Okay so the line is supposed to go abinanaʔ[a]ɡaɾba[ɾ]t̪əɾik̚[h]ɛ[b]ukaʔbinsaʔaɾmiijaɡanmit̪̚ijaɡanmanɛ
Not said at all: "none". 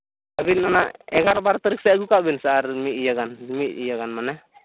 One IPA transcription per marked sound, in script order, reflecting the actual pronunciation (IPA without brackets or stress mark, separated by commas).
ɛ, ɾ, s, ɡ